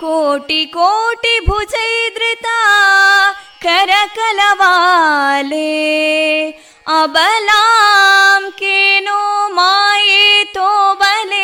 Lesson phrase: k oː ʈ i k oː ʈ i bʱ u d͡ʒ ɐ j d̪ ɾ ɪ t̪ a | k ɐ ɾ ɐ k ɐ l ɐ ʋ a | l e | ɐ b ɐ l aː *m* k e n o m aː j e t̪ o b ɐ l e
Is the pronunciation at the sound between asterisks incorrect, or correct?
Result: correct